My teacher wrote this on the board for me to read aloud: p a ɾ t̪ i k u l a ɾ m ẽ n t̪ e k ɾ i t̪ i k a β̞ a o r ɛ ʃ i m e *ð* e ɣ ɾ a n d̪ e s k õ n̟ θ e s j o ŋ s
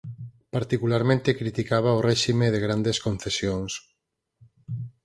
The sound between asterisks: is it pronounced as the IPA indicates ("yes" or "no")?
yes